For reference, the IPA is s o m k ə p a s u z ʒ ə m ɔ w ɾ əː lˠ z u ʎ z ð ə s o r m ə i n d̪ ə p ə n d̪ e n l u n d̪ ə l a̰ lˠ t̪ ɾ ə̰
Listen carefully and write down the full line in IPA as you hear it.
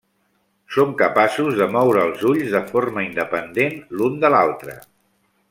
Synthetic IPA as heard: s o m k ə p a s u z ð ə m ɔ w ɾ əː lˠ z u ʎ z ð ə f o r m ə i n d̪ ə p ə n d̪ e n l u n d̪ ə l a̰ lˠ t̪ ɾ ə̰